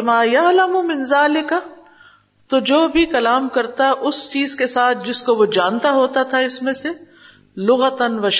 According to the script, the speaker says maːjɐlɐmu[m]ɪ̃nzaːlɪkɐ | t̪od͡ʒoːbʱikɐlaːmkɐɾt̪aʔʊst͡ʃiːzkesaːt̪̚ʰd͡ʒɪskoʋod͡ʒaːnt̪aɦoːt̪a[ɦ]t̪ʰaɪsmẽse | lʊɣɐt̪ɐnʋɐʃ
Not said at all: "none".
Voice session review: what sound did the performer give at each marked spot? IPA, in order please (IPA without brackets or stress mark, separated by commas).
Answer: m, none